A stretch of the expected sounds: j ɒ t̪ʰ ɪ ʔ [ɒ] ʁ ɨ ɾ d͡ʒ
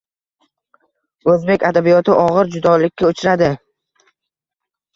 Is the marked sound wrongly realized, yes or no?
no